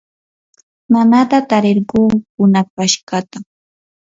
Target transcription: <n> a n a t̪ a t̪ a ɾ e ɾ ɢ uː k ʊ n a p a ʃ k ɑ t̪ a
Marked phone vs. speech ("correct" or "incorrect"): incorrect